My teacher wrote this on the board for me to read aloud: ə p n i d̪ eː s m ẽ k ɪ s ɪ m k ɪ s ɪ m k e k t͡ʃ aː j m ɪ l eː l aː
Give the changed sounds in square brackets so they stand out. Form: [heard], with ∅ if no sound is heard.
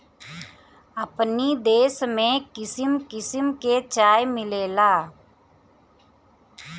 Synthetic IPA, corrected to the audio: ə p n i d̪ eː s m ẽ k ɪ s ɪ m k ɪ s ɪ m k e [∅] t͡ʃ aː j m ɪ l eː l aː